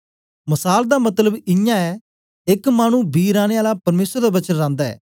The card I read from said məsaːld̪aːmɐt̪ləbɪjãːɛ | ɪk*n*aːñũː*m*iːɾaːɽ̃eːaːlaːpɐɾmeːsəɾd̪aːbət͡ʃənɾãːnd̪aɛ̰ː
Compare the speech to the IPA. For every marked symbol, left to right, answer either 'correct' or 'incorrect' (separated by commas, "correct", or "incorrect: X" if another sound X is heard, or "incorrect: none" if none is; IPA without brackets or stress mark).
incorrect: m, incorrect: b